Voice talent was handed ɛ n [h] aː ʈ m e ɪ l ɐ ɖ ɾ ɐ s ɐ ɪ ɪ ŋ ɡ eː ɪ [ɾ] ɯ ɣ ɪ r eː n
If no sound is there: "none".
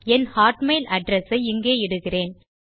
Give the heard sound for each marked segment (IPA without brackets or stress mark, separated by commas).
h, ɽ